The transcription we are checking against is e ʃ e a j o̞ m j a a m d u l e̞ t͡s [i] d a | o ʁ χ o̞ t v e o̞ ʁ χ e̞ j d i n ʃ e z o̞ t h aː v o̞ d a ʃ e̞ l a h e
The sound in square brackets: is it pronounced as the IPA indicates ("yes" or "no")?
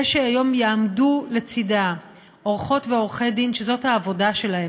yes